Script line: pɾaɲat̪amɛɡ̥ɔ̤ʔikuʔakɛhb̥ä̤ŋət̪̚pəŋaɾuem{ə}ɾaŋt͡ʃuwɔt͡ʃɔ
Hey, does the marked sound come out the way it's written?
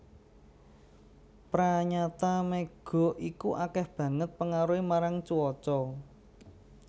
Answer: no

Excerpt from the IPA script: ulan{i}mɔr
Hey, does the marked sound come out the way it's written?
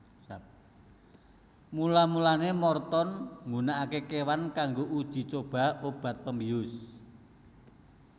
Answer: no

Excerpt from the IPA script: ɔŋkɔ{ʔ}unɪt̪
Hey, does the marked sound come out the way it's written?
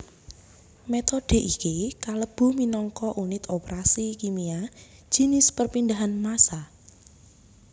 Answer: yes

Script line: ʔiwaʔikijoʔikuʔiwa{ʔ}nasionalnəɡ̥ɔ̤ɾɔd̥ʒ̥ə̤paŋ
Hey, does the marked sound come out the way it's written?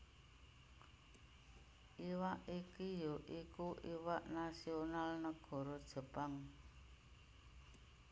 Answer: yes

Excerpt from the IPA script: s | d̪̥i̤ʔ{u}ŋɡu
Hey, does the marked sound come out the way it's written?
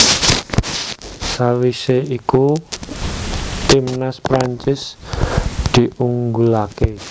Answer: yes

